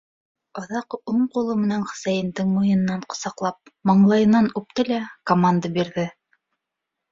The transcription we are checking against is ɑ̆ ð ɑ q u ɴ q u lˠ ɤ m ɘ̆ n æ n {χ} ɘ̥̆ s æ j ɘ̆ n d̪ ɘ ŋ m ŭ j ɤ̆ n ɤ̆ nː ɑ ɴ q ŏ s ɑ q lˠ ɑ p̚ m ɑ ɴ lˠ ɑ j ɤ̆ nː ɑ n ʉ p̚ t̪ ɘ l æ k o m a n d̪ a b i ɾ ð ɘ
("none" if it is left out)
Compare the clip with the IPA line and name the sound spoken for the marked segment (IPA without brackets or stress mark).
χ